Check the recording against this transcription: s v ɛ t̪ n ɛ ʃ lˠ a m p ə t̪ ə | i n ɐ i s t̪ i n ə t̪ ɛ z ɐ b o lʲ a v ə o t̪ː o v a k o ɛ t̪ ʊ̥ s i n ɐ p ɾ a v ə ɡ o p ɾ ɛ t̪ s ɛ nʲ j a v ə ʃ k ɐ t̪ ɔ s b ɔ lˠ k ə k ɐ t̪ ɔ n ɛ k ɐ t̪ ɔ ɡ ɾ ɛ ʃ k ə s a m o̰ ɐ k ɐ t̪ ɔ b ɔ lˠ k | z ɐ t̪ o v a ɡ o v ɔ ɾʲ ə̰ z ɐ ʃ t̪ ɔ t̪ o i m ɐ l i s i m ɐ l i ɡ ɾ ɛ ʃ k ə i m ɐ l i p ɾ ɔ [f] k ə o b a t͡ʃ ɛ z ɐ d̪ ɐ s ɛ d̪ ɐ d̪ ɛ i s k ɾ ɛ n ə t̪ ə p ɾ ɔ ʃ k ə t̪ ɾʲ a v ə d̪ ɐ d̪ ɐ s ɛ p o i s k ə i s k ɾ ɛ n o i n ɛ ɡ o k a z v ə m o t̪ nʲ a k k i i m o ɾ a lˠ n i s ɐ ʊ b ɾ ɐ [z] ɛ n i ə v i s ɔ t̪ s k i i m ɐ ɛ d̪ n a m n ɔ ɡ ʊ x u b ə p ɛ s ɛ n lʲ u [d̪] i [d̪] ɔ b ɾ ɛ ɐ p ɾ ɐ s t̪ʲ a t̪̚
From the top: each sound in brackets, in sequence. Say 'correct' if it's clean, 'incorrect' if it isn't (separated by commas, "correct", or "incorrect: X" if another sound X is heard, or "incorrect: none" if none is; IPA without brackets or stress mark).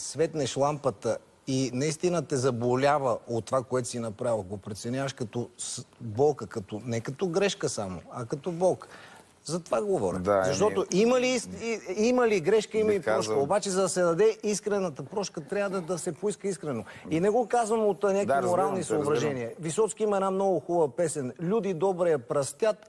incorrect: ʃ, incorrect: ʒ, correct, correct